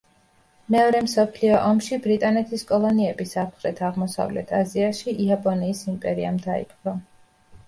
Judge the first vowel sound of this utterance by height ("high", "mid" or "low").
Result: mid